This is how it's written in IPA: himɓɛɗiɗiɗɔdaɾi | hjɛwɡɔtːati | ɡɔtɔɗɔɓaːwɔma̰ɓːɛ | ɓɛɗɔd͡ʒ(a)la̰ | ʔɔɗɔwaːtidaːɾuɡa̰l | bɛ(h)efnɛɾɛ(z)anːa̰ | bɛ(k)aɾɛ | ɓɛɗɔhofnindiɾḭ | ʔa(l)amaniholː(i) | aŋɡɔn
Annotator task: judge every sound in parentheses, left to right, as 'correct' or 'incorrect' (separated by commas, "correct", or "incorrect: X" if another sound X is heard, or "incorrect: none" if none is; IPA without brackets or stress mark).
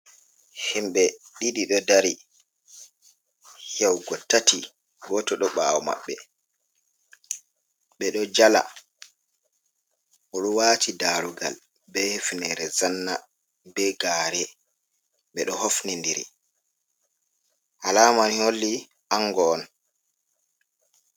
correct, correct, correct, incorrect: ɡ, correct, correct